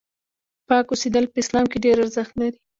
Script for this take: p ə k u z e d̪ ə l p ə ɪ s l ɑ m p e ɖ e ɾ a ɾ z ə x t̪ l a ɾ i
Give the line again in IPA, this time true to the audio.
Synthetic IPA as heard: p ɑ k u s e d̪ ə l p ə ɪ s l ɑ m k e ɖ e ɾ a ɾ z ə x t̪ l a ɾ i